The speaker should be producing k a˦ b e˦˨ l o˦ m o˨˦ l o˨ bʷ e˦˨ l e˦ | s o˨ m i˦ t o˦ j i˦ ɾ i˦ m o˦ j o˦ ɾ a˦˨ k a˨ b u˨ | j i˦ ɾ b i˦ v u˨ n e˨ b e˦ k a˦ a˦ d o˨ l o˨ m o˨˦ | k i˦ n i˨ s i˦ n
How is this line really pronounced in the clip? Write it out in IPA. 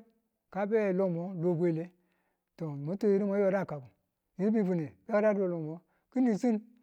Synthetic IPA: k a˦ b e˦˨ l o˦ m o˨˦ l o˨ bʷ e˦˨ l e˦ | t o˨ m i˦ t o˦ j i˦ ɾ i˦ m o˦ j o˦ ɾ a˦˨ k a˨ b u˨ | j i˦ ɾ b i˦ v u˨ n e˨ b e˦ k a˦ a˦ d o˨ l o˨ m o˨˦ | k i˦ n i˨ s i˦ n